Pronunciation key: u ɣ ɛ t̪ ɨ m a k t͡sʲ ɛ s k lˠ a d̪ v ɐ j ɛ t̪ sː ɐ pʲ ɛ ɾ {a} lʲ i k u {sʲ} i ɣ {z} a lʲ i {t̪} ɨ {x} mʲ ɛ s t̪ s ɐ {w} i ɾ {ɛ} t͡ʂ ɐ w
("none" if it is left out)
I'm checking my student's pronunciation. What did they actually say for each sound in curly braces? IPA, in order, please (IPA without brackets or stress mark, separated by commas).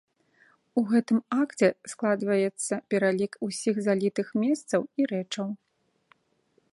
a, sʲ, z, t̪, x, w, ɛ